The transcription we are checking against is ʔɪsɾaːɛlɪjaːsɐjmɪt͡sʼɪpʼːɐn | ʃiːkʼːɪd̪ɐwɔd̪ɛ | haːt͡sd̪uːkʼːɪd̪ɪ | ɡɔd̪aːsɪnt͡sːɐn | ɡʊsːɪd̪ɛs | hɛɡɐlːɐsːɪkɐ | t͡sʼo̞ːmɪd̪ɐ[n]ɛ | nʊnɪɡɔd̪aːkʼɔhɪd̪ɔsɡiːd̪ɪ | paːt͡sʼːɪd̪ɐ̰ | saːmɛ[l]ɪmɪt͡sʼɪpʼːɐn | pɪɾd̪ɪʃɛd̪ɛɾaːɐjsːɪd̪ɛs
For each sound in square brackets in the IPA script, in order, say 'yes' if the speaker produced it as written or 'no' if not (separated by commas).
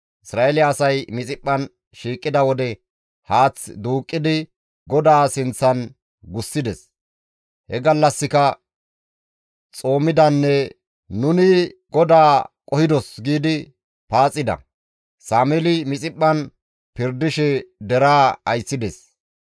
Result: no, yes